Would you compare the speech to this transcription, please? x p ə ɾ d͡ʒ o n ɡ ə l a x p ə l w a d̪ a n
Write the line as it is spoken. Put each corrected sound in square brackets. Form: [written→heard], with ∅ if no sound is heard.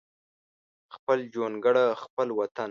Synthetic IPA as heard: x p ə [ɾ→l] d͡ʒ o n ɡ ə [l→ɽ] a x p ə l w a [d̪→t̪] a n